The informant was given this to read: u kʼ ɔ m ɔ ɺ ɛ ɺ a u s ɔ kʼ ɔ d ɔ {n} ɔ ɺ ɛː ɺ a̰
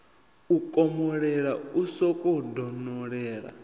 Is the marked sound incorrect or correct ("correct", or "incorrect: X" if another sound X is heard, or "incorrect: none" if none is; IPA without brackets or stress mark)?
correct